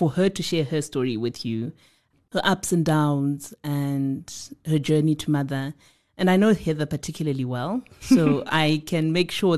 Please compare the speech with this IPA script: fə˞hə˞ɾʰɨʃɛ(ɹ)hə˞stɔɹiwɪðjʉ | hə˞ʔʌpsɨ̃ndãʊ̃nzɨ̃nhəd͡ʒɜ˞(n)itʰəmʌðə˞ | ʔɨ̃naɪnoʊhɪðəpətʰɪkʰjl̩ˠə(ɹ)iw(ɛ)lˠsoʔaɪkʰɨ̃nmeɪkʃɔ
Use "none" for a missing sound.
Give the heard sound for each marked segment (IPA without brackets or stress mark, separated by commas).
ɹ, n, l, ɛ